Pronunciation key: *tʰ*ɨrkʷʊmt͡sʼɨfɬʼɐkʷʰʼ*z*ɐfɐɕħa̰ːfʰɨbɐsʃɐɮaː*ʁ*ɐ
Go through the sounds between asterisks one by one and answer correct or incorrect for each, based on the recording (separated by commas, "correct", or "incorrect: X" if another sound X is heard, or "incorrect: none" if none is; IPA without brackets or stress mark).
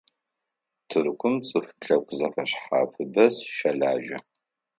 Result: correct, correct, incorrect: ʒ